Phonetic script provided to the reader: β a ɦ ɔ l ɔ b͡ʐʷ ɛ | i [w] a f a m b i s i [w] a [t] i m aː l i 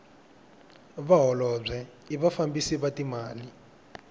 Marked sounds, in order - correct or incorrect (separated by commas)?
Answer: incorrect, incorrect, correct